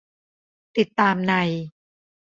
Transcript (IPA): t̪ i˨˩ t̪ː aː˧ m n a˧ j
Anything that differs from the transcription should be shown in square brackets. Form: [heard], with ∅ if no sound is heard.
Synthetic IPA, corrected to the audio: t̪ i˨˩ t̪ː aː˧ m n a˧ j